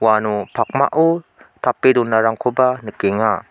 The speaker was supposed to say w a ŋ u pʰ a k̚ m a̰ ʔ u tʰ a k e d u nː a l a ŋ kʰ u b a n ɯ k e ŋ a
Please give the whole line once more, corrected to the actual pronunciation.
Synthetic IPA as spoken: w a n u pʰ a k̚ m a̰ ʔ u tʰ a p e d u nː a ɾ a ŋ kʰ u b a n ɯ k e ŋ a